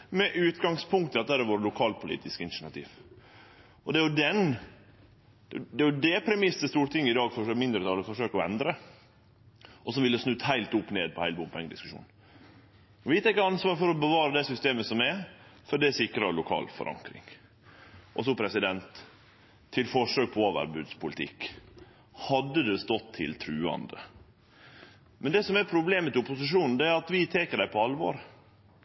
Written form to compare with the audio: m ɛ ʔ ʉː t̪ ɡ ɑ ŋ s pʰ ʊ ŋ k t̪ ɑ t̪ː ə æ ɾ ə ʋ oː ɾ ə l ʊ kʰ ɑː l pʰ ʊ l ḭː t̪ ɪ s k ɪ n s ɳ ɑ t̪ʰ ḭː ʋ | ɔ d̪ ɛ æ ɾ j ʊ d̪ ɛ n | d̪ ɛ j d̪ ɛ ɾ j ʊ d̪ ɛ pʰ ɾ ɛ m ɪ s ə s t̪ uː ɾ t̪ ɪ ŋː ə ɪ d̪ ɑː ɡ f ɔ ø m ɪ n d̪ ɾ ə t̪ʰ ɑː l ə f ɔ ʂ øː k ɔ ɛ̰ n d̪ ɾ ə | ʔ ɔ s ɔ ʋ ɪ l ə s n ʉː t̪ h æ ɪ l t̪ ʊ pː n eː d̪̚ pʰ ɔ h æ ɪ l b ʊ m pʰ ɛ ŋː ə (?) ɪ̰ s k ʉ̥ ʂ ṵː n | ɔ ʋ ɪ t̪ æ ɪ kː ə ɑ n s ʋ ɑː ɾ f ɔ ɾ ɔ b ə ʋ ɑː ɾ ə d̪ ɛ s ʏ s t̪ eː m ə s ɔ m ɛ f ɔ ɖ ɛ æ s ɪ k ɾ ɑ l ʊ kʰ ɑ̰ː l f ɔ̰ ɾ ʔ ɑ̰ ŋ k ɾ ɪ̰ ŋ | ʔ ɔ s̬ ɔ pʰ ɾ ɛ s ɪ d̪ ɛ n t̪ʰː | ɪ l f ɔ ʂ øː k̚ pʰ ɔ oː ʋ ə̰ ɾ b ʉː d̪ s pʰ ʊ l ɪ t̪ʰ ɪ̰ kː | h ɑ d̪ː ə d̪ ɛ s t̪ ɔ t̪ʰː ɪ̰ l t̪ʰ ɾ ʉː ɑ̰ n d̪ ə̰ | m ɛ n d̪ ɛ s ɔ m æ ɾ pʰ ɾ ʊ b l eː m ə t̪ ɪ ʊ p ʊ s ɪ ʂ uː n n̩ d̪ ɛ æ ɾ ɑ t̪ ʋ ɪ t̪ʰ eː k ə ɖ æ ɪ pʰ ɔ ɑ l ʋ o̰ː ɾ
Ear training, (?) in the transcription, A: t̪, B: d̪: B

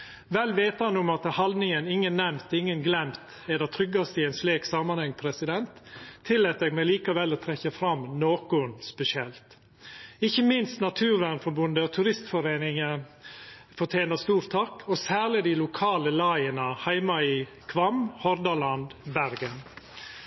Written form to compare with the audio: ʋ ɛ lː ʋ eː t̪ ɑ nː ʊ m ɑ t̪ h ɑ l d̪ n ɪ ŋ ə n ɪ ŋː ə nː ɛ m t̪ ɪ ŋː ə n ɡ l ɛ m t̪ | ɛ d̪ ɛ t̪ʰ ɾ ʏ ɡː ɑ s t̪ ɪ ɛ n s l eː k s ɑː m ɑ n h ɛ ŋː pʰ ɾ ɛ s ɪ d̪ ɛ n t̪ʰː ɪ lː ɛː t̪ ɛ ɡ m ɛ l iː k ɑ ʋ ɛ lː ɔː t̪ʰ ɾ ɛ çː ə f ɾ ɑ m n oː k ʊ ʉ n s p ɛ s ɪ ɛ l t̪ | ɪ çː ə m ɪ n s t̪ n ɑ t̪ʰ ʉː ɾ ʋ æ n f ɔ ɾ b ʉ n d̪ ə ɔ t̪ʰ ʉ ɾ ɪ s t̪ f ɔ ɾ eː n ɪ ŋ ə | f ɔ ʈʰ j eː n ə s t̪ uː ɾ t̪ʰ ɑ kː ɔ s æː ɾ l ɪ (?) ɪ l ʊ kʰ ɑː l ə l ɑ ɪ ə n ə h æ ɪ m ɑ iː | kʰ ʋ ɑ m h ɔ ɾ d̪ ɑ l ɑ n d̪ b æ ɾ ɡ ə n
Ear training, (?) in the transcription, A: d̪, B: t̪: A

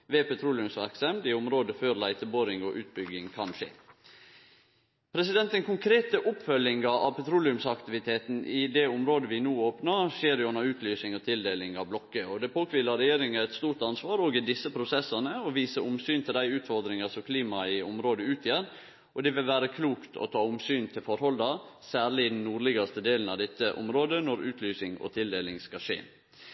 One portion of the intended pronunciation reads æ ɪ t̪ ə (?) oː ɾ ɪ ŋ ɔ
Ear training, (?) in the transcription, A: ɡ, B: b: B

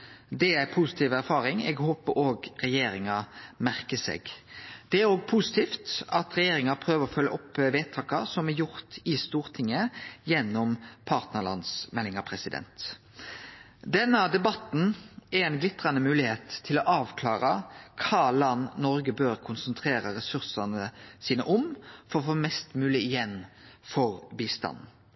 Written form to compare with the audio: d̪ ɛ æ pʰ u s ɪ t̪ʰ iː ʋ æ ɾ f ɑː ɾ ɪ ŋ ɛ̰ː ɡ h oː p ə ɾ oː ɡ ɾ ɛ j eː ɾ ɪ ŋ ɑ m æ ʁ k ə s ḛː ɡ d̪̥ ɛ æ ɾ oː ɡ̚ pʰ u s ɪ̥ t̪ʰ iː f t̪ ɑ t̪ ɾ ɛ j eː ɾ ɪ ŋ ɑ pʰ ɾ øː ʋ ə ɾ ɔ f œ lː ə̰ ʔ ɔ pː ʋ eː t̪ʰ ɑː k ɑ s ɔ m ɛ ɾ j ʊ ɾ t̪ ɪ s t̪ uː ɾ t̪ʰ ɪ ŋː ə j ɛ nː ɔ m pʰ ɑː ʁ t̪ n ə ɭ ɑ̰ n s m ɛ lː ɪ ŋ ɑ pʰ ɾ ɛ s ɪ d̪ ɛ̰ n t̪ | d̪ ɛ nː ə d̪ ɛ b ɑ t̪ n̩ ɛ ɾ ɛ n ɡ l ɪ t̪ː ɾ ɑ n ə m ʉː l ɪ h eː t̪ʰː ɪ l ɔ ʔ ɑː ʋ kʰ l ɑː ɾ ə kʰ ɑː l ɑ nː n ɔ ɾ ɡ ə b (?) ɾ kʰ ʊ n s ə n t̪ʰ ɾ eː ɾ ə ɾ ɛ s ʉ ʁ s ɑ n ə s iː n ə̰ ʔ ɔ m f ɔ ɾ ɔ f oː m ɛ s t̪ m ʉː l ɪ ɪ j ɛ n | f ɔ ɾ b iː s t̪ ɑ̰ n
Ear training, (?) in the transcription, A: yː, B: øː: B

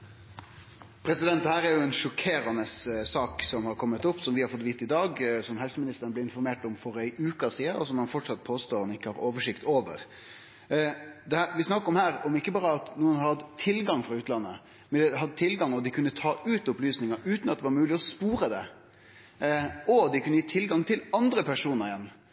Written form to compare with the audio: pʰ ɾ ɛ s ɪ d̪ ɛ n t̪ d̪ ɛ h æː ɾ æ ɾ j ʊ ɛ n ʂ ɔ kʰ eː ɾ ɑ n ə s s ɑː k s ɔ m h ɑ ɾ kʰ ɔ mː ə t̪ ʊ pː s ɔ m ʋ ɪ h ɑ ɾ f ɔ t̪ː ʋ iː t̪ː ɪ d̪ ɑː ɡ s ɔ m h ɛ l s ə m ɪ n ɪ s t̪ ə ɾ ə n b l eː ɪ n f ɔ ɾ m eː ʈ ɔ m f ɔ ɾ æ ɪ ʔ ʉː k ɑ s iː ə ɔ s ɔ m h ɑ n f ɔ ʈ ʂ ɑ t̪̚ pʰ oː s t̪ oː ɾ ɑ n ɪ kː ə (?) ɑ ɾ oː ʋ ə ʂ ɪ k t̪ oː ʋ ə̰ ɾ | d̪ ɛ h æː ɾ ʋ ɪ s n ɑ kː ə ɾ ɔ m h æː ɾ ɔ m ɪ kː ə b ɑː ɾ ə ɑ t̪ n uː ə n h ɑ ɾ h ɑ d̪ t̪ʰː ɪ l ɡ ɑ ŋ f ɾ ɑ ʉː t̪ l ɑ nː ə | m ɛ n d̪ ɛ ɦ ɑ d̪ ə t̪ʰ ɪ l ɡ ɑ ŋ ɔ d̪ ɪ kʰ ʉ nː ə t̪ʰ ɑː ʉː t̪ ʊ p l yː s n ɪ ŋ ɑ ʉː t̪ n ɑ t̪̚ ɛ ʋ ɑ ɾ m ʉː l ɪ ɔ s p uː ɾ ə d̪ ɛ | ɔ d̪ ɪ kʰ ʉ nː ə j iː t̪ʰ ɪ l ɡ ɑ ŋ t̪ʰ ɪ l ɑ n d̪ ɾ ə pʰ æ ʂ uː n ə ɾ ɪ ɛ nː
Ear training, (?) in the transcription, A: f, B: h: B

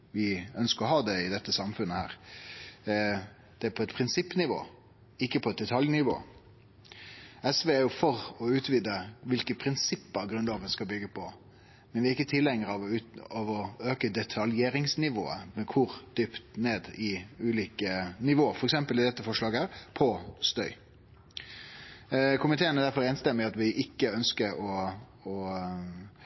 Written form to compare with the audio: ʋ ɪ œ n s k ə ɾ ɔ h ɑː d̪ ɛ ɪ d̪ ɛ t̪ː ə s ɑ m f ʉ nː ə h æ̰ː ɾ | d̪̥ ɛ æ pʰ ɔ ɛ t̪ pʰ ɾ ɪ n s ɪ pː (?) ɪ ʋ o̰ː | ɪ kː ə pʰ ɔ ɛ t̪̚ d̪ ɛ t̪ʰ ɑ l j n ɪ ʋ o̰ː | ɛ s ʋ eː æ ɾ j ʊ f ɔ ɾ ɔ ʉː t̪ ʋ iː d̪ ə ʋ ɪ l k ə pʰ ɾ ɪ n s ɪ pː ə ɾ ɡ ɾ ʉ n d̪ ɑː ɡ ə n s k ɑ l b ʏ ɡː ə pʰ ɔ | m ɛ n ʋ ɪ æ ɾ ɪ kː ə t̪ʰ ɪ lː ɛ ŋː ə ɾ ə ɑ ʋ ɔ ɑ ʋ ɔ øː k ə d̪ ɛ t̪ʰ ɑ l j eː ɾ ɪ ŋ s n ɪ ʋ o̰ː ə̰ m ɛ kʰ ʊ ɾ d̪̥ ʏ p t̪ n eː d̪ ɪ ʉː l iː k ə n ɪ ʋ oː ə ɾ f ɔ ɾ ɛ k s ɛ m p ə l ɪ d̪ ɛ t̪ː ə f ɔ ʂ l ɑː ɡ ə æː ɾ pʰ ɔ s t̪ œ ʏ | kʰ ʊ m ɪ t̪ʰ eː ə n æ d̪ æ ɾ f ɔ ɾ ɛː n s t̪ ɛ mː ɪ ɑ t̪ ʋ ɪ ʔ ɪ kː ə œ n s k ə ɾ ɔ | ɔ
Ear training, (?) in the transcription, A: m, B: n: B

